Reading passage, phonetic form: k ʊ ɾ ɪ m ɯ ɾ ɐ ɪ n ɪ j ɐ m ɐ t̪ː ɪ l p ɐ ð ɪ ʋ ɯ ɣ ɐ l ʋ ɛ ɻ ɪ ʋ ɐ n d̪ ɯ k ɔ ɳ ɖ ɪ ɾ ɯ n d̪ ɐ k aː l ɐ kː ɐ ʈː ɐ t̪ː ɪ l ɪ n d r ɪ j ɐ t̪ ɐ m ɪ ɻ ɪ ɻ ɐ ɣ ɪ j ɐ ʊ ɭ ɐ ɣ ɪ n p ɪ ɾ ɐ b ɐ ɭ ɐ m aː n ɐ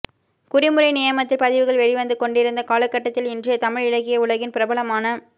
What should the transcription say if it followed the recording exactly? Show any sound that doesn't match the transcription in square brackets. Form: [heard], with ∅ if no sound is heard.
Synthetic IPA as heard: k ʊ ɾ ɪ m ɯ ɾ ɐ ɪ n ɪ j ɐ m ɐ t̪ː ɪ l p ɐ ð ɪ ʋ ɯ ɣ ɐ [ɭ] ʋ ɛ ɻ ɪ ʋ ɐ n d̪ ɯ k ɔ ɳ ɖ ɪ ɾ ɯ n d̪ ɐ k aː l ɐ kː ɐ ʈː ɐ t̪ː ɪ l ɪ n d r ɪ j ɐ t̪ ɐ m ɪ ɻ ɪ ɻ ɐ ɣ ɪ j ɐ ʊ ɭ ɐ ɣ ɪ n p ɪ ɾ ɐ b ɐ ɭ ɐ m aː n ɐ